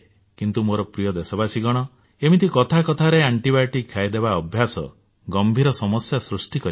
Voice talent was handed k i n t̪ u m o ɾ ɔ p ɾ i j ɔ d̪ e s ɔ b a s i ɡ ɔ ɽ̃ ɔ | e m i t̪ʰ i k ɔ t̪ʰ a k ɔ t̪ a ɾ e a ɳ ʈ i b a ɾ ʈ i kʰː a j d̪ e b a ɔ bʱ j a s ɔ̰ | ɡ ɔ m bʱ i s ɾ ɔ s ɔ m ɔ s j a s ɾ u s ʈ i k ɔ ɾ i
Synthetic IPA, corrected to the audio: k i n t̪ u m o ɾ ɔ p ɾ i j ɔ d̪ e s ɔ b a s i ɡ ɔ ɽ̃ ɔ | e m i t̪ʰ i k ɔ t̪ʰ a k ɔ t̪ʰ a ɾ e a ɳ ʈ i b a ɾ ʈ i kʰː a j d̪ e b a ɔ bʱ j a s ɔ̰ | ɡ ɔ m bʱ i ɾ ɔ s ɔ m ɔ s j a s ɾ u s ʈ i k ɔ ɾ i